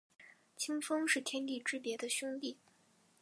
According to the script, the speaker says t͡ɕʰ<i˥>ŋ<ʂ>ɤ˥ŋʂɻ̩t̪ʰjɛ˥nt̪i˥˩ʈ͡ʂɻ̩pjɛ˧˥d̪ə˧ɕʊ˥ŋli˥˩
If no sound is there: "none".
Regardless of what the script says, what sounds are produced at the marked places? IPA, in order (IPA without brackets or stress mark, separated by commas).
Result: i˥, f